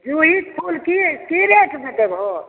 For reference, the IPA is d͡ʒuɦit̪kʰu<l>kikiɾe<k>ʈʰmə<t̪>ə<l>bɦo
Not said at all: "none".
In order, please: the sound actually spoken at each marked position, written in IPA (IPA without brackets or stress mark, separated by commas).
l, none, t̪, none